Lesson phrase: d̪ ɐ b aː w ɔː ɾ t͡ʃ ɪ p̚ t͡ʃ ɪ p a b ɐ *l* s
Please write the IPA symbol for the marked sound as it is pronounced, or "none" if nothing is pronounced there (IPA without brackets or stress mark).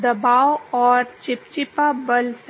l